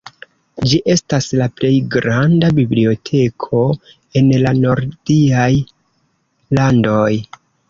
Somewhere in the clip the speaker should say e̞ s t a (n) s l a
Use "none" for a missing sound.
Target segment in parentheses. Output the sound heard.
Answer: none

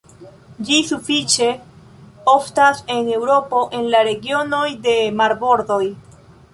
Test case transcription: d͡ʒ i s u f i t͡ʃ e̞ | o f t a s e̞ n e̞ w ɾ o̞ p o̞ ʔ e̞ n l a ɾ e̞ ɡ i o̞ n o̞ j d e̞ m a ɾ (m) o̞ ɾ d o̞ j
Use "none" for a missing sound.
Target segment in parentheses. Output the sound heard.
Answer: b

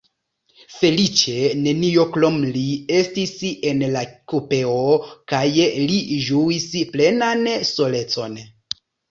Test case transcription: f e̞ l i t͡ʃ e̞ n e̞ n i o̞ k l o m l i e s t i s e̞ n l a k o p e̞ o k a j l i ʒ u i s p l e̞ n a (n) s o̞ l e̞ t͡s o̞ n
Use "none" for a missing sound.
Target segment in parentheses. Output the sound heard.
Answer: n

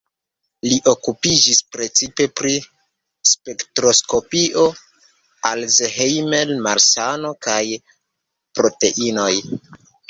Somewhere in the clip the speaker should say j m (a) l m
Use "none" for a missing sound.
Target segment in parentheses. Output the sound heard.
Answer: e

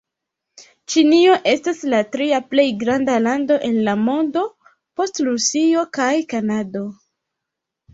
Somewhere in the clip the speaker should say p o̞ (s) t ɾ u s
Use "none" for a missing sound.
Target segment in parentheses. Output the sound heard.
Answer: s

